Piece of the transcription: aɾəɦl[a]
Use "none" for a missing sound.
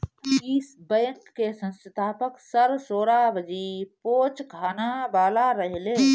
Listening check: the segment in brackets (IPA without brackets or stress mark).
e